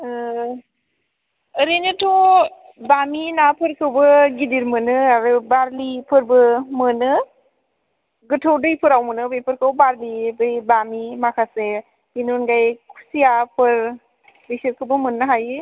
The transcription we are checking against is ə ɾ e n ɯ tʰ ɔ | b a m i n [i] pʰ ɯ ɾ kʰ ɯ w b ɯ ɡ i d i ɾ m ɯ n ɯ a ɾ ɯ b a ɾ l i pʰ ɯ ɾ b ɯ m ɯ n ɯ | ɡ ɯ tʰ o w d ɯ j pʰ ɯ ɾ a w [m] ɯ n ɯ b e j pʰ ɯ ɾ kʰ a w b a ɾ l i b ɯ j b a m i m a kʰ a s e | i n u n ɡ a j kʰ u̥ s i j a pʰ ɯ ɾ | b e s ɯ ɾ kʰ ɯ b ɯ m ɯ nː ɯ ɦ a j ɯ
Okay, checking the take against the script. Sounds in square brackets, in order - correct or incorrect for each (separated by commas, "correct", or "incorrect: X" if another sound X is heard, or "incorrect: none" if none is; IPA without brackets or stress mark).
incorrect: a, correct